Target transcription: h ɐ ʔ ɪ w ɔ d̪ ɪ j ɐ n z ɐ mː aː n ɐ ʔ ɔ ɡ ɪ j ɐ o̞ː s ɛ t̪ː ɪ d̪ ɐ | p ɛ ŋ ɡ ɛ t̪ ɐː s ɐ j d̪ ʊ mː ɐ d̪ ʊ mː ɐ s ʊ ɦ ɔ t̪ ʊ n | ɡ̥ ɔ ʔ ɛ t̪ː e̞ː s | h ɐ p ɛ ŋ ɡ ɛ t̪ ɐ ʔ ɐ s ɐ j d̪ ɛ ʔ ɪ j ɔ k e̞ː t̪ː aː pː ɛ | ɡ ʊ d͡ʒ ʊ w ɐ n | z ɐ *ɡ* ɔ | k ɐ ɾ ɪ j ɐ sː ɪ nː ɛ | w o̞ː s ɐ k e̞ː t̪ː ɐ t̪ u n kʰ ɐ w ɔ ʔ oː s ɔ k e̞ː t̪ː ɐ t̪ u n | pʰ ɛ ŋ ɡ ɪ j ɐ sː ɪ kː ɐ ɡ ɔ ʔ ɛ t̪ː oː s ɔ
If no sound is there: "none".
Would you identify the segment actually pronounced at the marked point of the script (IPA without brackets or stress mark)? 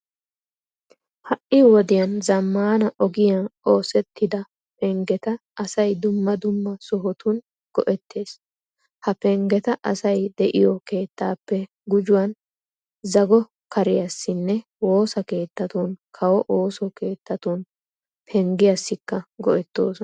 ɡ